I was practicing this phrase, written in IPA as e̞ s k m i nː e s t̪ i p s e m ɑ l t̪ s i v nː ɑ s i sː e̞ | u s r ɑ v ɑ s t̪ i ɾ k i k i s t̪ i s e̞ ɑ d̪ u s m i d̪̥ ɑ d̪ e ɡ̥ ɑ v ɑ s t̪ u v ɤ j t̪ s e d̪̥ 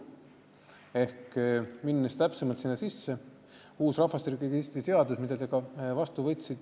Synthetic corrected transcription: e̞ h k m i nː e s t̪ æ p s e m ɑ l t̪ s i nː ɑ s i sː e̞ | uː s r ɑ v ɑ s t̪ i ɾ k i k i s t̪ i s e̞ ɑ d̪ u s m i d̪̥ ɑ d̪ e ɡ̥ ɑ v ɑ s t̪ u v ɤ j t̪ s i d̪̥